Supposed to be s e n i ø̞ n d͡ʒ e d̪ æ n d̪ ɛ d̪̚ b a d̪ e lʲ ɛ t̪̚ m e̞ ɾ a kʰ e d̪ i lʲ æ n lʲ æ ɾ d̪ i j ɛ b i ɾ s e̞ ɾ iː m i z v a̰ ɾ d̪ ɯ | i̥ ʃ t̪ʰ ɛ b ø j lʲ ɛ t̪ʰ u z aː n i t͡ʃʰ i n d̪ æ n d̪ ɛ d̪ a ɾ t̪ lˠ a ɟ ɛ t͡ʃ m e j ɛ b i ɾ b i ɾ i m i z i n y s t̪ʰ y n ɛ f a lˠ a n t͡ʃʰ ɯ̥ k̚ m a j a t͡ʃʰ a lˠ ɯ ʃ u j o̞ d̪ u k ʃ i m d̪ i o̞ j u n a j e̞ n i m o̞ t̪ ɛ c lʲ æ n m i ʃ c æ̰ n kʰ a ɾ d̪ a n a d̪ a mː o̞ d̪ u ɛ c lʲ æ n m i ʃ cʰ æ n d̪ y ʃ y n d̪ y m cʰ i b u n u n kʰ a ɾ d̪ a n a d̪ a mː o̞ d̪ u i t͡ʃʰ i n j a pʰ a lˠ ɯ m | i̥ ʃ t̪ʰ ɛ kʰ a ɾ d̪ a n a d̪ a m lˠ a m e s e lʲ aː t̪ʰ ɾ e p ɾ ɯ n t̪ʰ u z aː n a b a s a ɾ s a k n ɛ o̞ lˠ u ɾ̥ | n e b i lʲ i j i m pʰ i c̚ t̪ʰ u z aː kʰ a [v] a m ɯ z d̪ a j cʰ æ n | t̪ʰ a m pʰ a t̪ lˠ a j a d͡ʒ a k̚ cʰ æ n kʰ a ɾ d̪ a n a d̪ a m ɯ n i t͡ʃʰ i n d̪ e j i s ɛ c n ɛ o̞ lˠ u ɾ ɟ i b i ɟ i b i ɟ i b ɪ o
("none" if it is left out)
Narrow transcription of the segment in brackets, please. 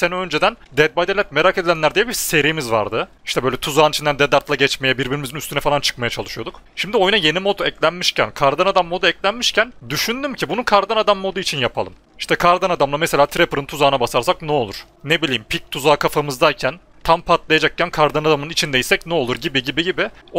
f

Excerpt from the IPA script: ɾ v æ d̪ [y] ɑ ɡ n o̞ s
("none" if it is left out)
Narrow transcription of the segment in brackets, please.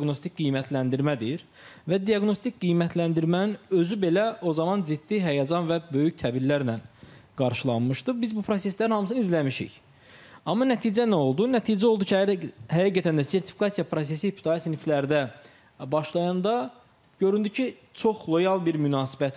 i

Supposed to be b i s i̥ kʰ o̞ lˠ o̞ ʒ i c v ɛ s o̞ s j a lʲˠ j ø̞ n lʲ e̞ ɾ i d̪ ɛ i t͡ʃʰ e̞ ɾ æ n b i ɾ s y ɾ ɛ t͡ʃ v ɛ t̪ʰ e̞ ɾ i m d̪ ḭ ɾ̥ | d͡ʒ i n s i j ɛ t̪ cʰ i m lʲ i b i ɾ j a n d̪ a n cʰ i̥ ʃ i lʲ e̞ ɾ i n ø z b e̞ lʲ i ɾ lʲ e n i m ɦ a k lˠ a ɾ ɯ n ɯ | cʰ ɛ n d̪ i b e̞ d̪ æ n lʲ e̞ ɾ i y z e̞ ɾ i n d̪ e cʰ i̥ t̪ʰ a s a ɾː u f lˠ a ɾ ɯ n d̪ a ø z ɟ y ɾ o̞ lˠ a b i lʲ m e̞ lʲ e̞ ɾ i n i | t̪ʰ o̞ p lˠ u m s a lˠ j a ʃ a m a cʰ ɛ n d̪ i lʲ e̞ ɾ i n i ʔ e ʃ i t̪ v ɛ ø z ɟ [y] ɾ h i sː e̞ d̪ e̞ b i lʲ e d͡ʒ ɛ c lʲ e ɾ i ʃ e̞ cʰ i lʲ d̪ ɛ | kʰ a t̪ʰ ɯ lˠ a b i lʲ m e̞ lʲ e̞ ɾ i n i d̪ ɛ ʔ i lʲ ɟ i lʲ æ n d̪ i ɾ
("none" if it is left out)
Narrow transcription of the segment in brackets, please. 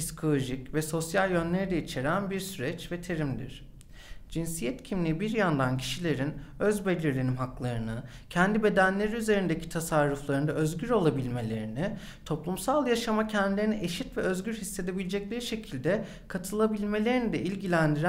y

